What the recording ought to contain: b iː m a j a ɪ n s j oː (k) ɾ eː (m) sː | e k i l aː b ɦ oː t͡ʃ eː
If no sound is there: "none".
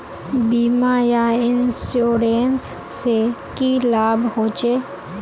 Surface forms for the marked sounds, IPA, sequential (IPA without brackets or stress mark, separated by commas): none, n